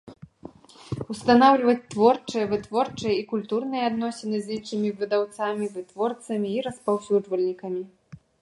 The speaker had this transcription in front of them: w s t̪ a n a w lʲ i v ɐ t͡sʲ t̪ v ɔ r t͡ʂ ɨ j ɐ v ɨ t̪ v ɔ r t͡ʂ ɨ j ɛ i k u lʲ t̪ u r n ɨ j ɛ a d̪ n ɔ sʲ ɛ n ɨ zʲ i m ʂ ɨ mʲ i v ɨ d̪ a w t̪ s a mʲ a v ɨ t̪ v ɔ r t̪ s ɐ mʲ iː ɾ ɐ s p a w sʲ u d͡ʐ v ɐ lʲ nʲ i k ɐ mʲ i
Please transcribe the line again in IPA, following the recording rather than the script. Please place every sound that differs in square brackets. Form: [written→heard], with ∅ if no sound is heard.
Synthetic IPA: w s t̪ a n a w lʲ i v ɐ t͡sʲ t̪ v ɔ r t͡ʂ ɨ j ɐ v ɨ t̪ v ɔ r t͡ʂ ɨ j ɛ i k u lʲ t̪ u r n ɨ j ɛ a d̪ n ɔ sʲ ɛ n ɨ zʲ i [m→n] ʂ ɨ mʲ i v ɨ d̪ a w t̪ s a mʲ [a→i] v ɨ t̪ v ɔ r t̪ s ɐ mʲ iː ɾ ɐ s p a w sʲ u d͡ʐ v ɐ lʲ nʲ i k ɐ mʲ i